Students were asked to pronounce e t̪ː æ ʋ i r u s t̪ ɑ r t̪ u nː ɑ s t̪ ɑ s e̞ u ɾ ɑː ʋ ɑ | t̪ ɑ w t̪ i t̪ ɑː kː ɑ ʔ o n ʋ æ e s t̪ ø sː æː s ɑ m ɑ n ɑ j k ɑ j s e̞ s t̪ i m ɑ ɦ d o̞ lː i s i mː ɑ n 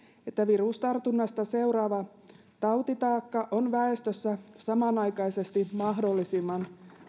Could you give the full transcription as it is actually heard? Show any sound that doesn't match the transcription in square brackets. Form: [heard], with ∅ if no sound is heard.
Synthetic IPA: e t̪ː æ ʋ i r u s t̪ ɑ r t̪ u nː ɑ s t̪ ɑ s e̞ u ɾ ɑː ʋ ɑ | t̪ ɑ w t̪ i t̪ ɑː kː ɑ ʔ o n ʋ æ e s t̪ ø sː [æ] s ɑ m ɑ n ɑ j k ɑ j s e̞ s t̪ i m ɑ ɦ d o̞ lː i s i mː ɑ n

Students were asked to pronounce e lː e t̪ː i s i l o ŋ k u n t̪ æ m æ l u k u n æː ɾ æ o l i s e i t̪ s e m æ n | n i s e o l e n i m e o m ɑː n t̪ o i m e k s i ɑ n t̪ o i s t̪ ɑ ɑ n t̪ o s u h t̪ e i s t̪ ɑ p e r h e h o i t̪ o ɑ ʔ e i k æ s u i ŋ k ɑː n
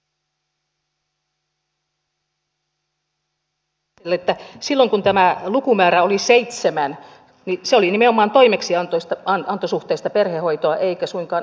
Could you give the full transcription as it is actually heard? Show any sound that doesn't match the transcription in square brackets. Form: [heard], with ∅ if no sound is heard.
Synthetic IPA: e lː e t̪ː [æ] s i [lː] o ŋ k u n t̪ æ m æ l u k u [m] æː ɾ æ o l i s e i t̪ s e m æ n | n i s e o l [i] n i m e o m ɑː n t̪ o i m e k s i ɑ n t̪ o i s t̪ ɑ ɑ n t̪ o s u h t̪ e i s t̪ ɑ p e r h e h o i t̪ o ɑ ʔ e i k æ s u i ŋ k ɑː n

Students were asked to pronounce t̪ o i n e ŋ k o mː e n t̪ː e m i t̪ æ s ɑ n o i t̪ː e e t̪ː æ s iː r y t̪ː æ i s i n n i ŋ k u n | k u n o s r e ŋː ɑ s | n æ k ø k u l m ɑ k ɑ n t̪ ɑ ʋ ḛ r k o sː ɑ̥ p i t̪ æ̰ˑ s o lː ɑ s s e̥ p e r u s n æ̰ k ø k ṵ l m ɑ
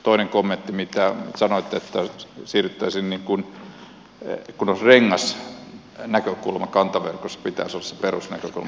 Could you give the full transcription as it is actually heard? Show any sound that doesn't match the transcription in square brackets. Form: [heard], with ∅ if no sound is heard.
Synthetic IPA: t̪ o i n e ŋ k o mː e n t̪ː [i] m i t̪ æ s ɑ n o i t̪ː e e t̪ː æ s iː r y t̪ː æ i s i n n i ŋ k u n | k u n o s r e ŋː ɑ s | n æ k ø k u l m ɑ k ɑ n t̪ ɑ ʋ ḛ r k o sː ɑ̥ p i t̪ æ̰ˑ s o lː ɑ s s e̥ p e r u s n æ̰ k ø k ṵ l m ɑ

